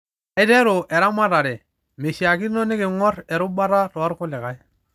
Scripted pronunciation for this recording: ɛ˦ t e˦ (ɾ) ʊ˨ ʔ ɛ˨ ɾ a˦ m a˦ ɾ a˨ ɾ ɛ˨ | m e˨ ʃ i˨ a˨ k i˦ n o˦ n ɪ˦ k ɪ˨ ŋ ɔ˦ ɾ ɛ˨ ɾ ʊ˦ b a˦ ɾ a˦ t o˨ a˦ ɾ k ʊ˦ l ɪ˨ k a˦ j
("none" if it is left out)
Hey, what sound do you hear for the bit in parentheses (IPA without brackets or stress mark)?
ɾ